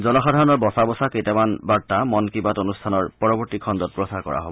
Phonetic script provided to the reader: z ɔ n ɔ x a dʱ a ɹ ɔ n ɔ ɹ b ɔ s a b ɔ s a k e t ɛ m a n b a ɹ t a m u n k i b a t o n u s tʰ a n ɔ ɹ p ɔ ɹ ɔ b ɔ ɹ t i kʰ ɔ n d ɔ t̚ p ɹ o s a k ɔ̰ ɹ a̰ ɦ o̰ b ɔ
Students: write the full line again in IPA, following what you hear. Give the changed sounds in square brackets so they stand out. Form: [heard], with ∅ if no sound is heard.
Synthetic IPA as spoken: z ɔ n ɔ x a dʱ a ɹ ɔ n ɔ ɹ b ɔ s a b ɔ s a k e t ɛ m a n b a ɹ t a m [ɔ] n k i b a t o n u s tʰ a n ɔ ɹ p ɔ ɹ ɔ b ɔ ɹ t i kʰ ɔ n d ɔ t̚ p ɹ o s a k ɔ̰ ɹ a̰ ɦ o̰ b ɔ